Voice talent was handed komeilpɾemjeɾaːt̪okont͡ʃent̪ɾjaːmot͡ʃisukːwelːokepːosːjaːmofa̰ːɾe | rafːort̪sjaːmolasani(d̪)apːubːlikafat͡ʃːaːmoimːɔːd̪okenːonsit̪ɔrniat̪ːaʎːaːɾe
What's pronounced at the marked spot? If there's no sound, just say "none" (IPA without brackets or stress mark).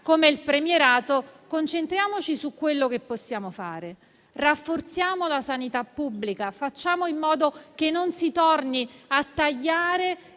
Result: t̪